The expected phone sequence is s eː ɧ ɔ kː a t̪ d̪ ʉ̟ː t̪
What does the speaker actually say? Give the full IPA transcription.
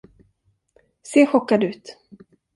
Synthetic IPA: s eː ɧ ɔ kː a d̪ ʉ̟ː t̪

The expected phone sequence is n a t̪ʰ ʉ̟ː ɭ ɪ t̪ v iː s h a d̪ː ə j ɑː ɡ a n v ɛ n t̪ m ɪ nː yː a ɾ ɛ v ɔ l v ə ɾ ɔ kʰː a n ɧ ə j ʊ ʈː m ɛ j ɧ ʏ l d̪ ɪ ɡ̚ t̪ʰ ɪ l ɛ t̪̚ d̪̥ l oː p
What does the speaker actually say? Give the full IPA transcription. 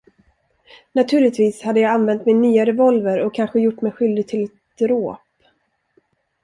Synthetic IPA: n a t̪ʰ ʉ̟ː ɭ ɪ t̪ v iː s h a d̪ː ə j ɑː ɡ a n v ɛ n t̪ m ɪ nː yː a ɾ ɛ v ɔ l v ə ɾ ɔ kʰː a n ɧ ə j ʊ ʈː m ɛ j ɧ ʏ l d̪ ɪ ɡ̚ t̪ʰ ɪ l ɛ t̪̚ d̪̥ ɾ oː p

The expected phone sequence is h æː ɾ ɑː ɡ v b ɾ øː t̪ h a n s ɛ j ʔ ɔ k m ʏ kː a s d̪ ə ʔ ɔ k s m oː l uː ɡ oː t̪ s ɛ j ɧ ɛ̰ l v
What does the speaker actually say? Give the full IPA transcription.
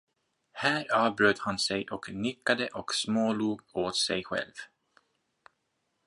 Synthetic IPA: h æː ɾ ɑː v b ɾ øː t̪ h a n s ɛ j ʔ ɔ k n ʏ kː a d̪ ə ʔ ɔ k s m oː l uː ɡ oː t̪ s ɛ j ɧ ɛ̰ l v

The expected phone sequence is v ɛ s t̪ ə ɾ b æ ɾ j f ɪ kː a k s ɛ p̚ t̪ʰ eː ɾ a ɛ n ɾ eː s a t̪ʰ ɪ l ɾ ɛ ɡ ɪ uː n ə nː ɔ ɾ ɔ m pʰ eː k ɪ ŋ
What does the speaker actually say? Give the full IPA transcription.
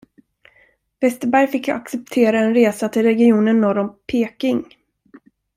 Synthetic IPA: v ɛ s t̪ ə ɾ b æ ɾ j f ɪ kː a k s ɛ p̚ t̪ʰ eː ɾ a ɛ n ɾ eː s a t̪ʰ ɪ l ɾ ɛ ɡ ɪ uː n ə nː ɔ ɾ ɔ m pʰ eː k ɪ ŋ

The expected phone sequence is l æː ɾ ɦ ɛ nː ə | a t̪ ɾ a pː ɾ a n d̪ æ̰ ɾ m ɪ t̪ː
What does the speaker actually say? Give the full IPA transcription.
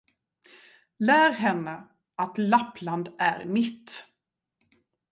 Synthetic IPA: l æː ɾ ɦ ɛ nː ə | a t̪ l a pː l a n d̪ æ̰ ɾ m ɪ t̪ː

